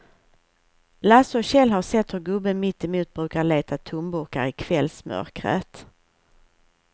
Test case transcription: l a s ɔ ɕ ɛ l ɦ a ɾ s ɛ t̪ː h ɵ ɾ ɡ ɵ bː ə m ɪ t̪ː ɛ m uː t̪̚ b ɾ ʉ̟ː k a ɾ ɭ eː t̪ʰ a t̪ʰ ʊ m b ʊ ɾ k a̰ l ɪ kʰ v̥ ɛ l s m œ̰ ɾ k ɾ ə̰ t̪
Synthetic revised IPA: l a s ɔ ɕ ɛ l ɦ a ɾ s ɛ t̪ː h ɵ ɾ ɡ ɵ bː ə m ɪ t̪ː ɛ m uː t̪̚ b ɾ ʉ̟ː k a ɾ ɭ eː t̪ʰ a t̪ʰ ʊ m b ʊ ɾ k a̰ ɾ ɪ kʰ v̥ ɛ l s m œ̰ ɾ k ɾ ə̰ t̪